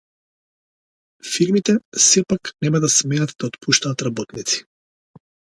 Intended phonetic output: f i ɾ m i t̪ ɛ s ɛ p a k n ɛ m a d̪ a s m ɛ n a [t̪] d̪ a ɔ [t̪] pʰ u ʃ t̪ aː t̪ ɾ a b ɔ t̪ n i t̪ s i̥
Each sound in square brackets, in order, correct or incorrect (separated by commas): correct, correct